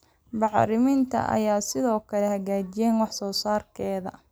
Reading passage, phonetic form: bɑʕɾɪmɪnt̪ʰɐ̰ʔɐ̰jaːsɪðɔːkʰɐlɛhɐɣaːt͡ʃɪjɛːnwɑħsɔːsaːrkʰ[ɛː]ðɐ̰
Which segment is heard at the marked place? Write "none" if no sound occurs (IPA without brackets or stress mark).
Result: ɛː